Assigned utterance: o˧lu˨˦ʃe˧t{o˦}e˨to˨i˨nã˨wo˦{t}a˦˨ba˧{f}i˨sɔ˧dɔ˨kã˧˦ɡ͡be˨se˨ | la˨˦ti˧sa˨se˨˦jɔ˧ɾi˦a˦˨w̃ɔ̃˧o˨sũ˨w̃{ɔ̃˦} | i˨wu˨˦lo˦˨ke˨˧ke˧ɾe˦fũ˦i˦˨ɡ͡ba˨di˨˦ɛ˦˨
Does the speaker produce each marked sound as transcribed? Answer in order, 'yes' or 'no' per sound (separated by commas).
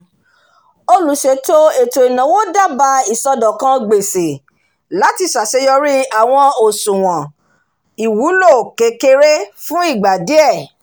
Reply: yes, no, no, no